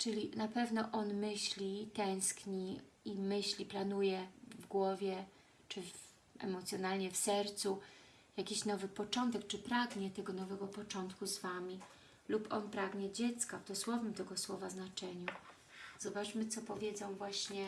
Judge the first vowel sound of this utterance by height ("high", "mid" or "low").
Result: mid